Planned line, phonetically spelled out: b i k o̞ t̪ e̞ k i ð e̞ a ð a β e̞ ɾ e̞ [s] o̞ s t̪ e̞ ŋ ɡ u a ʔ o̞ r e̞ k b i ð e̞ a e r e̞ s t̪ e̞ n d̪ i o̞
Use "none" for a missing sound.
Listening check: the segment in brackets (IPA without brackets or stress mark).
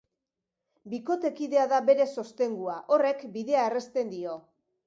s